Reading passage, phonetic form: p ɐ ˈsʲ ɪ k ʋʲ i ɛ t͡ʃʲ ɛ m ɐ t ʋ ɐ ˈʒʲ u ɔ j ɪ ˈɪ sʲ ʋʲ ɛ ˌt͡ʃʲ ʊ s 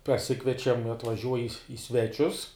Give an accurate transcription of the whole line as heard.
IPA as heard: p ɐ ˈsʲ ɪ k ʋʲ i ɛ t͡ʃʲ ɛ m ɐ t ʋ ɐ ˈʒʲ u ɔ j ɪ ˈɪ sʲ ʋʲ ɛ ˌt͡ʃʲ ʊ s